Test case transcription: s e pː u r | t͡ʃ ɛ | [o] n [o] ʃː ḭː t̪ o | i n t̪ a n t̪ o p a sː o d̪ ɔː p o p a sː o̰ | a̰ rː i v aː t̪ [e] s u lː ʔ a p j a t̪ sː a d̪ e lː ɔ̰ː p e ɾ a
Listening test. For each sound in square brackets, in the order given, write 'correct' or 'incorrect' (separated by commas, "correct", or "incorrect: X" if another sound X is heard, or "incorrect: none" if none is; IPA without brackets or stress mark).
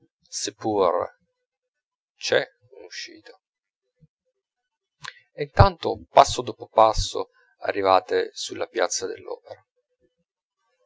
incorrect: u, incorrect: u, correct